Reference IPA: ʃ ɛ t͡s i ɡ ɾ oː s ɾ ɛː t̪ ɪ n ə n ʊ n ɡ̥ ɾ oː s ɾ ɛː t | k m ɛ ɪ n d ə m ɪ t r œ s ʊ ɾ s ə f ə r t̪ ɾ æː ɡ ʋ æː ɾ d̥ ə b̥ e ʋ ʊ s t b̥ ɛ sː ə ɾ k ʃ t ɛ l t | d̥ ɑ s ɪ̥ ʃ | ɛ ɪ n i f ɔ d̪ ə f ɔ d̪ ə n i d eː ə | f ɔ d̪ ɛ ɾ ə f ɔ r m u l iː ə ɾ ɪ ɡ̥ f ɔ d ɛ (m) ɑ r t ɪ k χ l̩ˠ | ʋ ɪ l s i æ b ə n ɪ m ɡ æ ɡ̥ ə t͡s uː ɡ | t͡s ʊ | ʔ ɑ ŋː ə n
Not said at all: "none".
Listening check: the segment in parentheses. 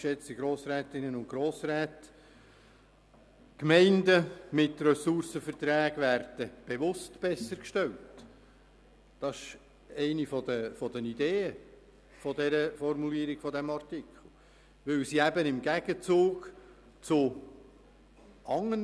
m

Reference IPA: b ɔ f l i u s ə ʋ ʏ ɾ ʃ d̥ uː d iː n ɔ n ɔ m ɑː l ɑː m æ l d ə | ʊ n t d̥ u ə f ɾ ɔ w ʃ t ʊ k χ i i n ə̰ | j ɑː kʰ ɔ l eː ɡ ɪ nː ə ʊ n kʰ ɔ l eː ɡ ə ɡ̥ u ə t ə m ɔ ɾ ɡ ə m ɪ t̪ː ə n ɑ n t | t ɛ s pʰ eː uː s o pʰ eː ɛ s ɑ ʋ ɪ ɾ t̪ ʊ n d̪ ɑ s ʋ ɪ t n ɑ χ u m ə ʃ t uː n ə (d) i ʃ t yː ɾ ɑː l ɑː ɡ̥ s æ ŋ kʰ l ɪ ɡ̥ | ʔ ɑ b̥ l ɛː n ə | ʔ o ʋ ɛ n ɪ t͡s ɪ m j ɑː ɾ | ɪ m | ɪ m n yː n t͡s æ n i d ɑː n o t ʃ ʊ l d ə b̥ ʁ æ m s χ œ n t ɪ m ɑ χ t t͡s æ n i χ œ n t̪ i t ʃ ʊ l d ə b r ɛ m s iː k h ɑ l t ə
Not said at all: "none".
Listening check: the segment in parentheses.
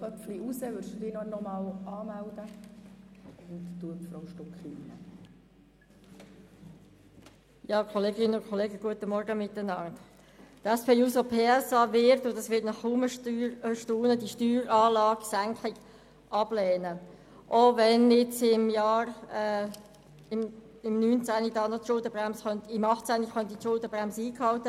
d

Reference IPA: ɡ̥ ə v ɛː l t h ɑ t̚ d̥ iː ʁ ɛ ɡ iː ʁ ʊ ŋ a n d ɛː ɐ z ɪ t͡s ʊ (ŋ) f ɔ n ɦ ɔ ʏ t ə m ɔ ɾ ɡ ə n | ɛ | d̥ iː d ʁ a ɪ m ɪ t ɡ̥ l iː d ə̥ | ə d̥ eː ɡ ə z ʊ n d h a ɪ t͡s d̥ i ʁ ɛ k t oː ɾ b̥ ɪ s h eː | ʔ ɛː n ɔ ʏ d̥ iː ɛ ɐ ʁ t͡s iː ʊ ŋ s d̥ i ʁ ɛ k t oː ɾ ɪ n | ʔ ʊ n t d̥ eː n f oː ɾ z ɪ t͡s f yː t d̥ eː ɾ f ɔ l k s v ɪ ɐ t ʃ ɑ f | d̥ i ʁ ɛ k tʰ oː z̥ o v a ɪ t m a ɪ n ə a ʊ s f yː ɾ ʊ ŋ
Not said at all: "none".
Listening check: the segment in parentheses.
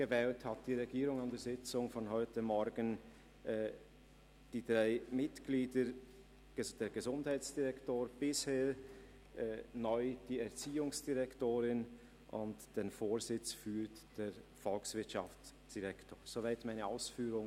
ŋ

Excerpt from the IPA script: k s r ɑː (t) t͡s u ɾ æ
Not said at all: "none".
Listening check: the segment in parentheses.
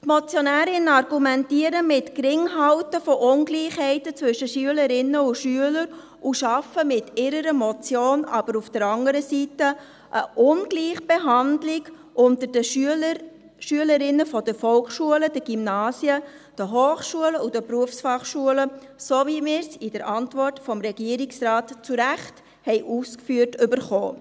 t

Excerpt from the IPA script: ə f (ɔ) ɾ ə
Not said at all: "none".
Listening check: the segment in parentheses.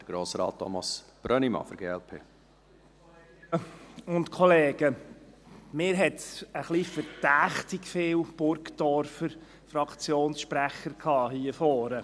ɔː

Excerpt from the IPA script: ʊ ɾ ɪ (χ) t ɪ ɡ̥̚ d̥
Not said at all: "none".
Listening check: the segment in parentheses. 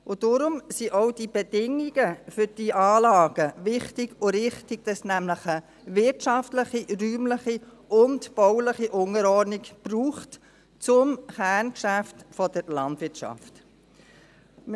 χ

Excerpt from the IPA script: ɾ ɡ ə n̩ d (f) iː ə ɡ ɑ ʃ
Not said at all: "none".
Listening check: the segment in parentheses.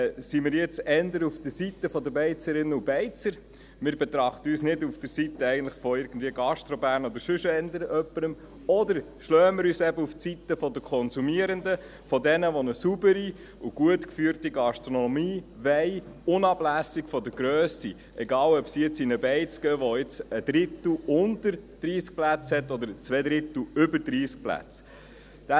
v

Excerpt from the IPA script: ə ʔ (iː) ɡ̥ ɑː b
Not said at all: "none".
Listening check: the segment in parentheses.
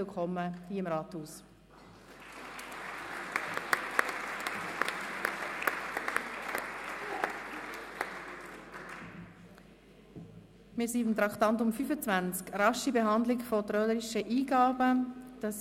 iː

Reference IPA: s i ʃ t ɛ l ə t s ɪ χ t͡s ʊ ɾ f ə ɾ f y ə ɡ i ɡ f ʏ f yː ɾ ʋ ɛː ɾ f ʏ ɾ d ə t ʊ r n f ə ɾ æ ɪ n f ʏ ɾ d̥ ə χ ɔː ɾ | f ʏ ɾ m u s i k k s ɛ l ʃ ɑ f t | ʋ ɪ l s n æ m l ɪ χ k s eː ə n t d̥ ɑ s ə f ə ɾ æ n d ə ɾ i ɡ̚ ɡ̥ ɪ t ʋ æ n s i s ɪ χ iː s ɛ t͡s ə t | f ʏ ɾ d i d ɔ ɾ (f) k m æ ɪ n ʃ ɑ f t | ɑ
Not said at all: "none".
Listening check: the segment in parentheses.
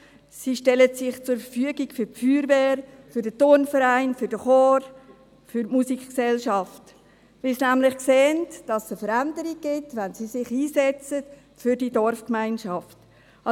f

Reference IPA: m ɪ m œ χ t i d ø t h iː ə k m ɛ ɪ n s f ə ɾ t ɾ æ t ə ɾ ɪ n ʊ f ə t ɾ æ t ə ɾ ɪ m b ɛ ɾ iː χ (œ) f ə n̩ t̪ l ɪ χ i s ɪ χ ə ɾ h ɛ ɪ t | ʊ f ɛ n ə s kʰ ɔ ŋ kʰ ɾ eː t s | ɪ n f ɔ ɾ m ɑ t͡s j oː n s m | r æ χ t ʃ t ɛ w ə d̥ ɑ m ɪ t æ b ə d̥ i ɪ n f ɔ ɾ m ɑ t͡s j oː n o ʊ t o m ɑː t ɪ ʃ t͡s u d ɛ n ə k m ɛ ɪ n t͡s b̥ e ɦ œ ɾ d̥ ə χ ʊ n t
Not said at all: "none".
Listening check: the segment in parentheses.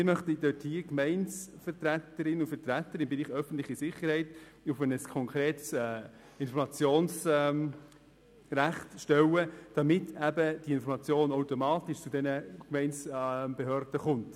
œ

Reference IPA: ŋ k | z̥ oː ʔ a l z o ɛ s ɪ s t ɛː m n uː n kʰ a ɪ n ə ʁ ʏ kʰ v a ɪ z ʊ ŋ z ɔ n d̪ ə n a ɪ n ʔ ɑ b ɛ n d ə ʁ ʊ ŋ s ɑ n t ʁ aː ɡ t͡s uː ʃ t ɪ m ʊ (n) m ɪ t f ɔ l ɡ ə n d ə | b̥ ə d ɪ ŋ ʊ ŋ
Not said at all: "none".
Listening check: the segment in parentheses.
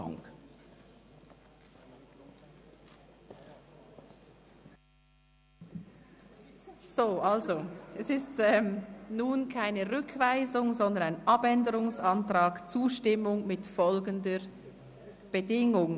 ŋ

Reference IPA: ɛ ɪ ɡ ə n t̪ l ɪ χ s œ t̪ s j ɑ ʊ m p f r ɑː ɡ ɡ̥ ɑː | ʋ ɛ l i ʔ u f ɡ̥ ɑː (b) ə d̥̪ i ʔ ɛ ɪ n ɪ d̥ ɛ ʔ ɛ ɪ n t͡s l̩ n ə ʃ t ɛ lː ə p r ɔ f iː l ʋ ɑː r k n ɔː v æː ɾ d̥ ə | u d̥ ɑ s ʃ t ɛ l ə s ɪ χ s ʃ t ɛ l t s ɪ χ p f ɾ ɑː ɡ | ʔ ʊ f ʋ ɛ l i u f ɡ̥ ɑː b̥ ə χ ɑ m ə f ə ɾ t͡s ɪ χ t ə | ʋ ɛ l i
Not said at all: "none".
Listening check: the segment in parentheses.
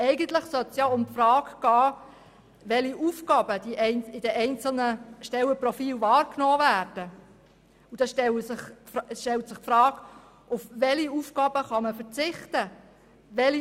b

